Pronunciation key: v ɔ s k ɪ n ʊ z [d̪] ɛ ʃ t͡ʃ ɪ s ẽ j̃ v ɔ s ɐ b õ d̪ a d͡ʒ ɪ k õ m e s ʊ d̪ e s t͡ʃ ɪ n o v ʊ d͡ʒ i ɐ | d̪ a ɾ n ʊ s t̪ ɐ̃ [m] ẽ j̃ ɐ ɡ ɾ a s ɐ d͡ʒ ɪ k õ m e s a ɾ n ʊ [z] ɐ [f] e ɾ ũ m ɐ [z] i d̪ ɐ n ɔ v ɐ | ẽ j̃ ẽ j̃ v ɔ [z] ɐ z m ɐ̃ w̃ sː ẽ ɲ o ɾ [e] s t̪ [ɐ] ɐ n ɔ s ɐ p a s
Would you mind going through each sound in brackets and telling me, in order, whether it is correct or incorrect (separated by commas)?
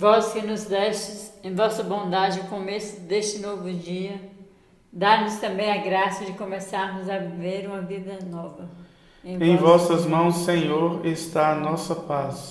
correct, incorrect, correct, incorrect, incorrect, incorrect, correct, incorrect